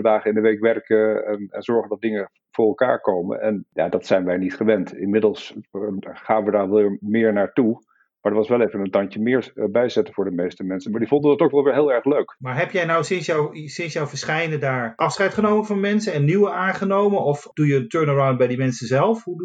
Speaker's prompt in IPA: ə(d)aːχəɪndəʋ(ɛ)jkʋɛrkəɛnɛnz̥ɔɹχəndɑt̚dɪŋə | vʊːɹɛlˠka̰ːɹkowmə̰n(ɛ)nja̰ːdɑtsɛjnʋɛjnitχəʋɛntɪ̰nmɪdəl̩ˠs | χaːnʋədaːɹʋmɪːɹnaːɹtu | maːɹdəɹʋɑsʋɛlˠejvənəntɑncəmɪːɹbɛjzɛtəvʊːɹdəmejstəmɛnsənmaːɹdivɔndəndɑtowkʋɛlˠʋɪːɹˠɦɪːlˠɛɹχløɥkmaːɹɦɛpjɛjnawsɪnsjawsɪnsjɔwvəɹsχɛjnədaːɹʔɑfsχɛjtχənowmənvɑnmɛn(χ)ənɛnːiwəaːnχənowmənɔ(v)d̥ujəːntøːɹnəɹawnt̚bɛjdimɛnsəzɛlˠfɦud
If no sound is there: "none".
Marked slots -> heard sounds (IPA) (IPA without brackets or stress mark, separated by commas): d, e, ɛ, s, f